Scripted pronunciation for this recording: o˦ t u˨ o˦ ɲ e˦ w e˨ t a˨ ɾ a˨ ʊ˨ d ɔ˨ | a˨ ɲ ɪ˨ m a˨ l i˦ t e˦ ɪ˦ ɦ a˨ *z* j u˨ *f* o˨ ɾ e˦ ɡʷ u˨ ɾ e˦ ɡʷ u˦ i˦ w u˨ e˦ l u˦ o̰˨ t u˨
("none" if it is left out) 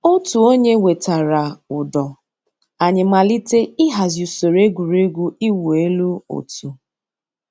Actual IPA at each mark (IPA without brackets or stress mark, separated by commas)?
z, s